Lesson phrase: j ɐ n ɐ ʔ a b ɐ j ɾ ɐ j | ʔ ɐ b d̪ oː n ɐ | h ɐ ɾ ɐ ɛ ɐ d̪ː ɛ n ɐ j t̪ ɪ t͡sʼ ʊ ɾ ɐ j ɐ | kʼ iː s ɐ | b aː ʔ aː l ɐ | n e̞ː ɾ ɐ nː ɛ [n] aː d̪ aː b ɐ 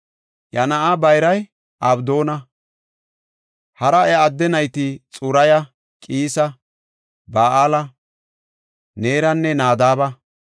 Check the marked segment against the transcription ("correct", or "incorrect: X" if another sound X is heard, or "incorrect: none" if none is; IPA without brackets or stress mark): correct